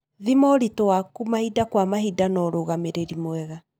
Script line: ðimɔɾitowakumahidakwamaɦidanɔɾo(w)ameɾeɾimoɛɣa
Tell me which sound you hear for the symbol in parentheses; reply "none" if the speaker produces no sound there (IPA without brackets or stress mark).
ɣ